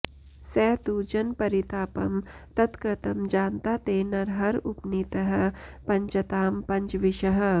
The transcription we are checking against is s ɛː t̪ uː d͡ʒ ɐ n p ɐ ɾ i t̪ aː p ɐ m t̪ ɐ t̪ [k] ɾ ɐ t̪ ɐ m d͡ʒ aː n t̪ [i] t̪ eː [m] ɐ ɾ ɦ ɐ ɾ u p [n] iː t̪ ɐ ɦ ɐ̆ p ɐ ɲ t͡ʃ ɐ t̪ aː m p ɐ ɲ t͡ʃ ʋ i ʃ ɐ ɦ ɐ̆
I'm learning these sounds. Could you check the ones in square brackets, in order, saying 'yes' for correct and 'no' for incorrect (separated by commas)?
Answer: yes, no, no, yes